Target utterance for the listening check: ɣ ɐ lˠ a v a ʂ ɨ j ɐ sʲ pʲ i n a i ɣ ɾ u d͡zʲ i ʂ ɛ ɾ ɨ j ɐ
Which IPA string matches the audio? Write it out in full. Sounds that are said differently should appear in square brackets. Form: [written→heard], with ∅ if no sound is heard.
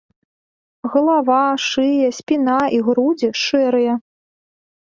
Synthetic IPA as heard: ɣ ɐ lˠ a v a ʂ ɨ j ɐ sʲ pʲ i n a i ɣ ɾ u d͡zʲ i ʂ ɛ ɾ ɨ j ɐ